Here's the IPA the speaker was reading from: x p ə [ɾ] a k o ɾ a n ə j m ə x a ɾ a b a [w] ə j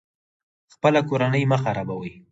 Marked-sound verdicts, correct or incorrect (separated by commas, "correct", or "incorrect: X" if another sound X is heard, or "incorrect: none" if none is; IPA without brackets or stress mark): incorrect: l, correct